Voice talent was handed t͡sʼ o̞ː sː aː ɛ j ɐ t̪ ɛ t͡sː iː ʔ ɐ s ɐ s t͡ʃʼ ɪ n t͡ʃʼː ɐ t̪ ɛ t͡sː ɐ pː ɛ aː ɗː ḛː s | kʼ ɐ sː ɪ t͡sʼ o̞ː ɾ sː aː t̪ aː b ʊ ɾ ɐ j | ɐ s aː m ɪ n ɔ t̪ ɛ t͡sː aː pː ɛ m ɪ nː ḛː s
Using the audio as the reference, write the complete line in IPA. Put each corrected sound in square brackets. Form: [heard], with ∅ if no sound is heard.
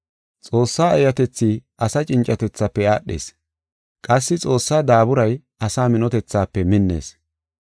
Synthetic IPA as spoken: t͡sʼ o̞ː sː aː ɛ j ɐ t̪ ɛ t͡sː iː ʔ ɐ s ɐ [∅] t͡ʃʼ ɪ n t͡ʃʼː ɐ t̪ ɛ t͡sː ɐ pː ɛ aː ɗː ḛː s | kʼ ɐ sː ɪ t͡sʼ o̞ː [∅] sː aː [d̪] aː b ʊ ɾ ɐ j | ɐ s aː m ɪ n ɔ t̪ ɛ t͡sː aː pː ɛ m ɪ nː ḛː s